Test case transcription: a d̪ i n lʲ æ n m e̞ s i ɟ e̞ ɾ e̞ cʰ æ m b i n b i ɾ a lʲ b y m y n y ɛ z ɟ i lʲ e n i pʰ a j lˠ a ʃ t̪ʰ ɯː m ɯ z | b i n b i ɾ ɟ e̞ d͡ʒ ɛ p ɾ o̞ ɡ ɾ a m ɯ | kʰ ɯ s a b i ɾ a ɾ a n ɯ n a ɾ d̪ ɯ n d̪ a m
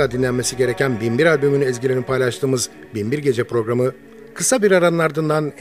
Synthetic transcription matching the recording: a d̪ i n lʲ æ n m e̞ s i ɟ e̞ ɾ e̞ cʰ æ n b i n b i ɾ a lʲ b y m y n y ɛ z ɟ i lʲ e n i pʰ a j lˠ a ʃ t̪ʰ ɯː m ɯ z | b i n b i ɾ ɟ e̞ d͡ʒ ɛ p ɾ o̞ ɡ ɾ a m ɯ | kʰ ɯ s a b i ɾ a ɾ a n ɯ n a ɾ d̪ ɯ n d̪ a n